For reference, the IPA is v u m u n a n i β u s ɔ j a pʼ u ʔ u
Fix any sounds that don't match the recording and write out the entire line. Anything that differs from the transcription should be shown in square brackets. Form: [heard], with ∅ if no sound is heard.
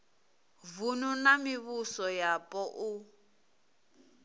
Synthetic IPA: v u [n] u n a [m] i β u s ɔ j a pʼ [ɔ] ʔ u